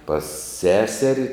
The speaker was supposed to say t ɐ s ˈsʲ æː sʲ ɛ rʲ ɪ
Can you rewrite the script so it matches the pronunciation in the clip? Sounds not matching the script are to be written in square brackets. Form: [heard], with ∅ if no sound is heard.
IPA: [p] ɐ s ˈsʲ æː sʲ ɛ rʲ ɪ